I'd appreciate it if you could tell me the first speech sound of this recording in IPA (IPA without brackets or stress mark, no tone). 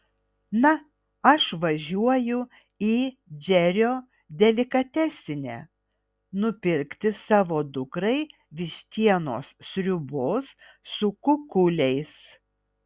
n